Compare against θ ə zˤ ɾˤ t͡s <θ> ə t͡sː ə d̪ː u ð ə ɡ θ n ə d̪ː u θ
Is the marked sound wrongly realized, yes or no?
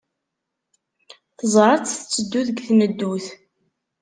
no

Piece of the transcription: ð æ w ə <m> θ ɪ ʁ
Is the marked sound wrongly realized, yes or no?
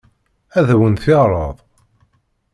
yes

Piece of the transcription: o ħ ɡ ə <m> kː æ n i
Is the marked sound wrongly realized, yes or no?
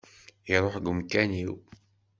no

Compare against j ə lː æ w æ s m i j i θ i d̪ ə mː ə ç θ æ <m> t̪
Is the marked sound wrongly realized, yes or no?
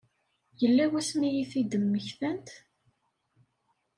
yes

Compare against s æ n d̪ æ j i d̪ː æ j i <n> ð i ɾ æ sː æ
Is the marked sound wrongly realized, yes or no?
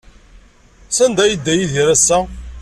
yes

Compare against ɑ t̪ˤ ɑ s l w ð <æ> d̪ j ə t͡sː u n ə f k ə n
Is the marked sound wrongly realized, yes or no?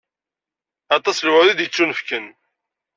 yes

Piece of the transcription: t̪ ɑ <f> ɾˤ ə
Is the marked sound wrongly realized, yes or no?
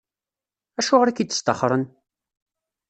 yes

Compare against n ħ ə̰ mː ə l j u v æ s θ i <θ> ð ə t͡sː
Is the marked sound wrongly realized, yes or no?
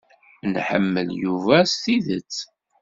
yes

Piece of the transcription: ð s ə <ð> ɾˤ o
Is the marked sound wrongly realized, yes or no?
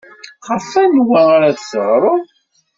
yes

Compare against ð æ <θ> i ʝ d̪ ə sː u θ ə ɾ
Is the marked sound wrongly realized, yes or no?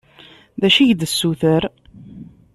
yes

